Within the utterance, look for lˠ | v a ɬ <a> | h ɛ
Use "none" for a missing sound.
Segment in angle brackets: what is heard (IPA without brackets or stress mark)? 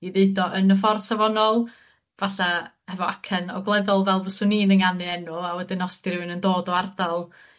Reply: a